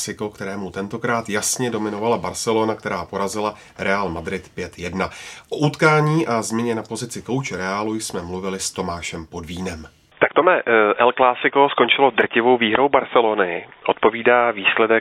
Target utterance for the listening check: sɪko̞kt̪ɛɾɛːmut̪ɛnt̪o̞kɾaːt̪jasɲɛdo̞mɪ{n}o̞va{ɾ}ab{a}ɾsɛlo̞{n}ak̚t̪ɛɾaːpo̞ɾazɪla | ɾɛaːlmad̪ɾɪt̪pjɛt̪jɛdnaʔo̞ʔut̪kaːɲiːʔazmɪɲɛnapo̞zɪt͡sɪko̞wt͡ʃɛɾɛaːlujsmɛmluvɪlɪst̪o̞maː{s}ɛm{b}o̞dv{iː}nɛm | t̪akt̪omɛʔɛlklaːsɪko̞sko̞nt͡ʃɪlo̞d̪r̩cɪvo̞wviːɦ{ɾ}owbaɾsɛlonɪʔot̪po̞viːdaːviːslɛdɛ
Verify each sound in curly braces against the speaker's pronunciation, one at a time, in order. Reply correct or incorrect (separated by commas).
correct, incorrect, correct, correct, incorrect, incorrect, correct, correct